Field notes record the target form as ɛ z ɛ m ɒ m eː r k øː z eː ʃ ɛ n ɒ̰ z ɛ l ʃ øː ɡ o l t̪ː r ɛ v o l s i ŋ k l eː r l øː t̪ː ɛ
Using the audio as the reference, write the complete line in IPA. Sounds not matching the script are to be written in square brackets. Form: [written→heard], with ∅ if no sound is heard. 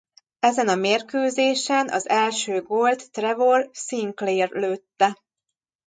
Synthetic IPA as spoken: ɛ z ɛ [m→n] ɒ m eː r k øː z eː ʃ ɛ n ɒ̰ z ɛ l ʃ øː ɡ o l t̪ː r ɛ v o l s i ŋ k l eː r l øː t̪ː ɛ